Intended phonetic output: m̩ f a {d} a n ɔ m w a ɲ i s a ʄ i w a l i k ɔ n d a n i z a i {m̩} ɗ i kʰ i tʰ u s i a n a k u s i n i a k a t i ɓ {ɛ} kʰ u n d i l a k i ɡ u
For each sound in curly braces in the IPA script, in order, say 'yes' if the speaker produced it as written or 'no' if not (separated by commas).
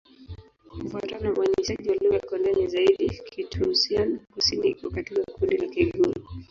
no, no, no